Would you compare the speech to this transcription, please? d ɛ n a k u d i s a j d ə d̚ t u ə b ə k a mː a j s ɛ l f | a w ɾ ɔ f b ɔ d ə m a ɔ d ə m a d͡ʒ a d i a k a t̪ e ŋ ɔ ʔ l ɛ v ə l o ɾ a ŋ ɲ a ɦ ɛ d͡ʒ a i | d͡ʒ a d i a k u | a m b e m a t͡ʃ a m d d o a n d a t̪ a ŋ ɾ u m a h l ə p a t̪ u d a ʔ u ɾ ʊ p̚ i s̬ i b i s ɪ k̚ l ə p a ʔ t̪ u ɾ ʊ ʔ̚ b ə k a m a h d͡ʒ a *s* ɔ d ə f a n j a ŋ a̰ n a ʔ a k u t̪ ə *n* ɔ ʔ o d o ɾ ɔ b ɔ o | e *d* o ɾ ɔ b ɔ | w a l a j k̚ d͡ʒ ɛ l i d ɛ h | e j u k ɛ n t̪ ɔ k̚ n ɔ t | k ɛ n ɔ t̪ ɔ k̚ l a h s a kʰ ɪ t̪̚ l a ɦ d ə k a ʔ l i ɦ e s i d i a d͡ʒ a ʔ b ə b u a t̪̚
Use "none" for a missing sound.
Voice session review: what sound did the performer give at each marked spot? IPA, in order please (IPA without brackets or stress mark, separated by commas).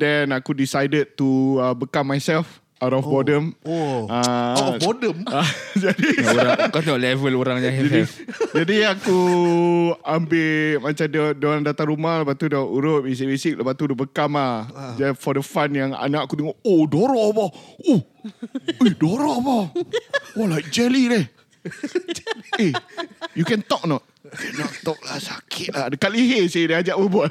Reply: f, ŋ, d